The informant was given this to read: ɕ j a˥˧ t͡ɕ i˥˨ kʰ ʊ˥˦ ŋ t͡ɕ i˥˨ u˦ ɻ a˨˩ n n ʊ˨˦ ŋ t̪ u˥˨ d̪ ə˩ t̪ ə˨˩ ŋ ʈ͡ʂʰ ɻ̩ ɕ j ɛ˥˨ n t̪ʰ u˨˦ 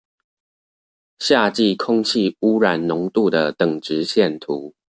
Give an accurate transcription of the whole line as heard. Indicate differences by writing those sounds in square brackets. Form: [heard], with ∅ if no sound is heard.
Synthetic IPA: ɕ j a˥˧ t͡ɕ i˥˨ kʰ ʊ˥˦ ŋ [t͡ɕʰ] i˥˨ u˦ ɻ a˨˩ n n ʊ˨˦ ŋ t̪ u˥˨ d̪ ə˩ t̪ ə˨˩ ŋ [ʈ͡ʂ] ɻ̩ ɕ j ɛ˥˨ n t̪ʰ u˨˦